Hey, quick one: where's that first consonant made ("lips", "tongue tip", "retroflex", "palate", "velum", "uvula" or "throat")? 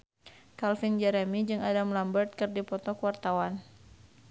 velum